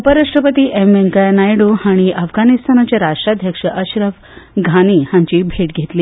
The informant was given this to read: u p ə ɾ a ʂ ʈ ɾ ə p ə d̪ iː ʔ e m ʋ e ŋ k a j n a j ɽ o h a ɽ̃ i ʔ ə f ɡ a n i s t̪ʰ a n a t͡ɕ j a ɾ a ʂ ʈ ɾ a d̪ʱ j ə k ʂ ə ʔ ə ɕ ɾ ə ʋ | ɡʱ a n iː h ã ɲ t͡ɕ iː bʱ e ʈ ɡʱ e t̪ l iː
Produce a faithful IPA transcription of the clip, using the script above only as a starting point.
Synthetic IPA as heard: u p ə ɾ a ʂ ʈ ɾ ə p ə t̪ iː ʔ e m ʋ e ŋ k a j n a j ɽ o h a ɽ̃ i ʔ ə f ɡ a n i s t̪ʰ a n a t͡ɕ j a ɾ a ʂ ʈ ɾ a d̪ʱ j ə k ʂ ə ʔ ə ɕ ɾ ə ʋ | ɡʱ a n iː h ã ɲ t͡ɕ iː bʱ e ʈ ɡʱ e t̪ l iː